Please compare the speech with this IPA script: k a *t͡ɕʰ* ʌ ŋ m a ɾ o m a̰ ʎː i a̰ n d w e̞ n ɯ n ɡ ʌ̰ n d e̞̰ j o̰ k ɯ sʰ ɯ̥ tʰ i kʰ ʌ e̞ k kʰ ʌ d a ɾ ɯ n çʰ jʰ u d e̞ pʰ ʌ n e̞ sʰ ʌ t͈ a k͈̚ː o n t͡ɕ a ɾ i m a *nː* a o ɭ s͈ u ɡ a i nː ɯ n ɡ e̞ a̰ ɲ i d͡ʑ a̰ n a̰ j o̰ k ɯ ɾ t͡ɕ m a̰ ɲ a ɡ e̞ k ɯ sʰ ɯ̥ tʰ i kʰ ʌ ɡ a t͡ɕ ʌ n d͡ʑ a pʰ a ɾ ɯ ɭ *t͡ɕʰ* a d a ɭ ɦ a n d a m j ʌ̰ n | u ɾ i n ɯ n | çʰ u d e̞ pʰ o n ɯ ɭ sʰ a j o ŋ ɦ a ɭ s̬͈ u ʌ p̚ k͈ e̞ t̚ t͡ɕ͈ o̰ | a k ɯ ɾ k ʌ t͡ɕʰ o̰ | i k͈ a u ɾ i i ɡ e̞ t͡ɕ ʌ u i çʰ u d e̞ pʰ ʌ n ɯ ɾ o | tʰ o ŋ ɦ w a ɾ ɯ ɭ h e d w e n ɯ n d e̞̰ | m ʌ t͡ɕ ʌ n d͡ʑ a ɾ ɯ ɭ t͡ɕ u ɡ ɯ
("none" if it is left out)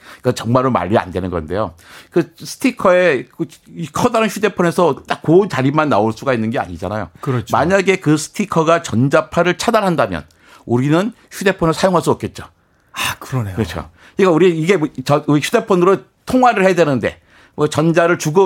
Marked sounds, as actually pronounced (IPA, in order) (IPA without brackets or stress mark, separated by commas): t͡ɕ, nː, t͡ɕʰ